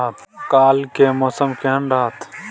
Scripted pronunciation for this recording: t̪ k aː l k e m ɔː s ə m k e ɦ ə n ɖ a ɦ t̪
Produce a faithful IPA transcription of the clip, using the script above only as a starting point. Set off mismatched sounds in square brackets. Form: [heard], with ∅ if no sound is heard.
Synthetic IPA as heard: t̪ k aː l k e m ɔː s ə m k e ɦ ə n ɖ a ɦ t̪